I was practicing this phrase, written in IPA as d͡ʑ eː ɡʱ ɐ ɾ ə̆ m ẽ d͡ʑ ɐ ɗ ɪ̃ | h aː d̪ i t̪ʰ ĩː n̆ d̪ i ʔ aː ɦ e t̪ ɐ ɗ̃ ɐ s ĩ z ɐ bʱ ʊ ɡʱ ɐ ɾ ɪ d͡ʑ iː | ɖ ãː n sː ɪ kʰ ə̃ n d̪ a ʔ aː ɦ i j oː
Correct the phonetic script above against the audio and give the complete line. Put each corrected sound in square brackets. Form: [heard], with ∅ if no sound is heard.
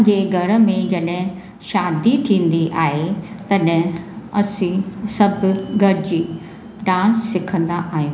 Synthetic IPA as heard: d͡ʑ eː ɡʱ ɐ ɾ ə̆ m ẽ d͡ʑ ɐ ɗ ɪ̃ | [ʃ] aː d̪ i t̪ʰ ĩː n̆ d̪ i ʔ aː ɦ e t̪ ɐ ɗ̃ ɐ s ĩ [s] ɐ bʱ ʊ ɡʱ ɐ ɾ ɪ d͡ʑ iː | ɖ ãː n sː ɪ kʰ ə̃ n d̪ a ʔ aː ɦ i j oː